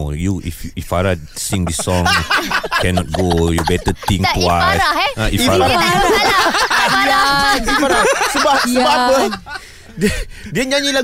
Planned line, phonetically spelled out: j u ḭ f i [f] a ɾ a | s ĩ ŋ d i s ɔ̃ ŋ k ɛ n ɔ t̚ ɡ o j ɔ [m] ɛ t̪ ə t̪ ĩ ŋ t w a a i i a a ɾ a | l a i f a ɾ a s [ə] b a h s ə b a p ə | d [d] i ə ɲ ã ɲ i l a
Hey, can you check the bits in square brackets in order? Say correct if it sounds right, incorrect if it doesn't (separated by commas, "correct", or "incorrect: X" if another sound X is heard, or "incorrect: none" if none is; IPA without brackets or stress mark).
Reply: correct, incorrect: b, correct, correct